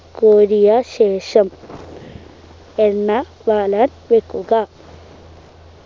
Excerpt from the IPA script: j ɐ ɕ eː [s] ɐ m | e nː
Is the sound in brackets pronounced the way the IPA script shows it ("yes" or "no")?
no